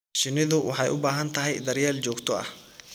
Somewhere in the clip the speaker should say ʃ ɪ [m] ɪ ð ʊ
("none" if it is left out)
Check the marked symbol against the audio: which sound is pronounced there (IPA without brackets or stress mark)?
n